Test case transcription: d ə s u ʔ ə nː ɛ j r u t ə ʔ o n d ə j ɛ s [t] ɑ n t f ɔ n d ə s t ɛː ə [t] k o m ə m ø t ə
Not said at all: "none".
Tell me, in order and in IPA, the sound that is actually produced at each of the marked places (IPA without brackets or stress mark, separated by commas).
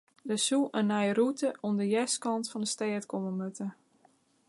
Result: k, t